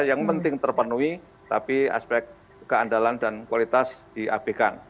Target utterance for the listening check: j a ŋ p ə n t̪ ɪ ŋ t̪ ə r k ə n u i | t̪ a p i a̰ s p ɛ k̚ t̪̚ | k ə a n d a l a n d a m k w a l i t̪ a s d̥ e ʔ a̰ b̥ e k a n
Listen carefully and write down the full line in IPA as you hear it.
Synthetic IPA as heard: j a ŋ p ə n t̪ ɪ ŋ t̪ ə r p ə n u i | t̪ a p i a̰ s p ɛ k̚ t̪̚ | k ə a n d a l a n d a n k w a l i t̪ a s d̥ i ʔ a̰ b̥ e k a n